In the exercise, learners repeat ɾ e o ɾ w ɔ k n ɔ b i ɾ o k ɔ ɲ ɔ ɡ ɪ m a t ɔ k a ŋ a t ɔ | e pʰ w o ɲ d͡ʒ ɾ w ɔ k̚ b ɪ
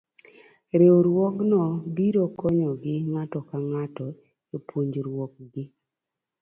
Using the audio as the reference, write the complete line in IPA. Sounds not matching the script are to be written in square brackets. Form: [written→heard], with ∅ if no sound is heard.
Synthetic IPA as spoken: ɾ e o ɾ w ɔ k n ɔ b i ɾ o k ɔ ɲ ɔ ɡ ɪ [m→ŋ] a t ɔ k a ŋ a t ɔ | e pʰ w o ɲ d͡ʒ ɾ w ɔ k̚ [b→ɡ] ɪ